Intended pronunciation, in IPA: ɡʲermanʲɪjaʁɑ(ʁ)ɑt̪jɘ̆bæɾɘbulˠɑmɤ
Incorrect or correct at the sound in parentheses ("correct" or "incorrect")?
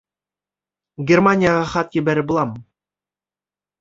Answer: incorrect